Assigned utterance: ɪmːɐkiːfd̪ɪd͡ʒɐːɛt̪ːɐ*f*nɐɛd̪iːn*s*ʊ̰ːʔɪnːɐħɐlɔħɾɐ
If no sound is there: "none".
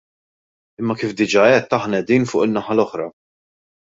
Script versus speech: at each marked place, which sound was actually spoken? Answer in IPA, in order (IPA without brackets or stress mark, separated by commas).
ħ, f